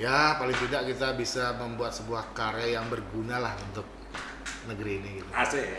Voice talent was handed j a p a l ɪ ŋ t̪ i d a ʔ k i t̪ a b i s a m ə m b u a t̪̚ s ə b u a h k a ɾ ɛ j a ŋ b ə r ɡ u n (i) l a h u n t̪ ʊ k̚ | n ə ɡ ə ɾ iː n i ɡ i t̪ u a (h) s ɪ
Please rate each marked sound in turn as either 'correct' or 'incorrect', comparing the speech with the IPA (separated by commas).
incorrect, incorrect